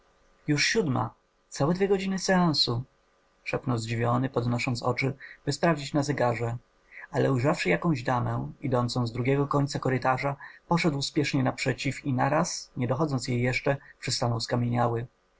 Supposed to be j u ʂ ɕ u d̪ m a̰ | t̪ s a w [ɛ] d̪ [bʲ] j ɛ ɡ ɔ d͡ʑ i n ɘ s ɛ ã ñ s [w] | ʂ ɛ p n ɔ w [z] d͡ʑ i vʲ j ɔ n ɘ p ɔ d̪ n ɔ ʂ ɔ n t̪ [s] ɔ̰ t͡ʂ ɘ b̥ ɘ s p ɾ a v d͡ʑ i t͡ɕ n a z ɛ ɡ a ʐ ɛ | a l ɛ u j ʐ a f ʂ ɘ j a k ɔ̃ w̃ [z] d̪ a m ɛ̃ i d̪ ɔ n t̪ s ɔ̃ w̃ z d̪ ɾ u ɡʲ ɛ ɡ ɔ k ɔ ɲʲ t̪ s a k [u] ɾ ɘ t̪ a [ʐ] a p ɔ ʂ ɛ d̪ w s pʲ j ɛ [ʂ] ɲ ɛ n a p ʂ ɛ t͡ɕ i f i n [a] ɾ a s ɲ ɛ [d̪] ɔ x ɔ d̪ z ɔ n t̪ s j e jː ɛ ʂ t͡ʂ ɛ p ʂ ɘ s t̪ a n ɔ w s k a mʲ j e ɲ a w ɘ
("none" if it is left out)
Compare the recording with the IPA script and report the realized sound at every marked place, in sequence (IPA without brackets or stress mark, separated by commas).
ɛ, vʲ, u, z, s, ʑ, ɔ, ʐ, ʂ, a, d̪